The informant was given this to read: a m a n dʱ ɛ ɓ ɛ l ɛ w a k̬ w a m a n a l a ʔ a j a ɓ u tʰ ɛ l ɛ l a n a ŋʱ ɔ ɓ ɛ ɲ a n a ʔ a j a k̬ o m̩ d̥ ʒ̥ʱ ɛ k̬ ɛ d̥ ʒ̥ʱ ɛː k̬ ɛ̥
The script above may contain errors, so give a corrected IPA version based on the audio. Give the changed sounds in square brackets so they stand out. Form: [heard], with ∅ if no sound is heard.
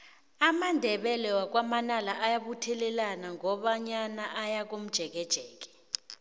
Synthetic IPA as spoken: a m a n dʱ ɛ ɓ ɛ l ɛ w a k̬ w a m a n a l a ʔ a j a ɓ u tʰ ɛ l ɛ l a n a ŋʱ ɔ ɓ [a] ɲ a n a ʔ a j a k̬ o m̩ d̥ ʒ̥ʱ ɛ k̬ ɛ d̥ ʒ̥ʱ ɛː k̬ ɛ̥